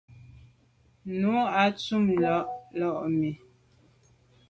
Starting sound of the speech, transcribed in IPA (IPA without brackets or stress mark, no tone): n